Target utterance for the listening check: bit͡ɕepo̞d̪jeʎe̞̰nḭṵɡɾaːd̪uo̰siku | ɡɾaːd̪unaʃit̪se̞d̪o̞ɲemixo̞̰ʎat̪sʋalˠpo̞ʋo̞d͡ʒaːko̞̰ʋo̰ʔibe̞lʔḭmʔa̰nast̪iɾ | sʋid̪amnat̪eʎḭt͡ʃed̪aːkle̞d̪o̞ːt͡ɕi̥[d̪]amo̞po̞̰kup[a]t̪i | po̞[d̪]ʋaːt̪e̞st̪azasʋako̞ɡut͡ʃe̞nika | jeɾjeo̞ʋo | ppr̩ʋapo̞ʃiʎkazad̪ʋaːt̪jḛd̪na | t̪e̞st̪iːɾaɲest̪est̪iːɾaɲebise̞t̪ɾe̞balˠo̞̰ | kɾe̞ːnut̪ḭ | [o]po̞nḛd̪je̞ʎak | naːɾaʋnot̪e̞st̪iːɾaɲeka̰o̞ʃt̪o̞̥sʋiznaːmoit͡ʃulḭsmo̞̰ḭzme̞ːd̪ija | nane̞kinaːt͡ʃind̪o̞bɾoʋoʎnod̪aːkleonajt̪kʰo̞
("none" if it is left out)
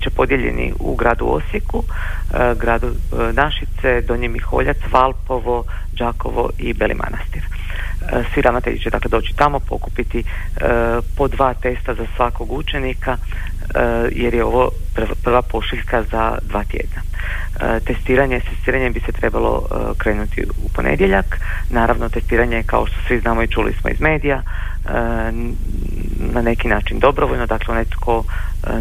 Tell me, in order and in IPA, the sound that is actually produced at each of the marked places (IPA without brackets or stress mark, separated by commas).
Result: t̪, i, d̪, u